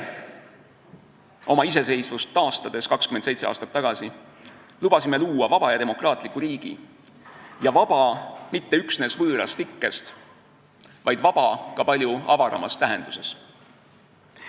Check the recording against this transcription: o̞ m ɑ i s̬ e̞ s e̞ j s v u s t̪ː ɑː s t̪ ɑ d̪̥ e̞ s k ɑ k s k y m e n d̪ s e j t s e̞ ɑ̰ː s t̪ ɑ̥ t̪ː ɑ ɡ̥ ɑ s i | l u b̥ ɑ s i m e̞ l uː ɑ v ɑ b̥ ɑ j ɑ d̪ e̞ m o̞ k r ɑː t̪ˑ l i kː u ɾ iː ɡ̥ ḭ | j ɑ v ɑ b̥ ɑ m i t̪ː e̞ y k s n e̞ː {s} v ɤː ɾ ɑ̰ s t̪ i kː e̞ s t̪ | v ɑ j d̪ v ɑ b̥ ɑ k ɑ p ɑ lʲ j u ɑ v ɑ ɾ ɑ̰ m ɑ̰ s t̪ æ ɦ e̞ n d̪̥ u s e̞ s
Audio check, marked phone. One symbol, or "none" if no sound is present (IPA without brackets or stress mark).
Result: s